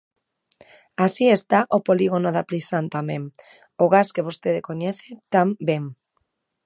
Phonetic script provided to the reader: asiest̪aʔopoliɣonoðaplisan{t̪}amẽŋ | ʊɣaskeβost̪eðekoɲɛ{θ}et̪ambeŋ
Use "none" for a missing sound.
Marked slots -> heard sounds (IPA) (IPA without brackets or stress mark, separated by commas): t̪, θ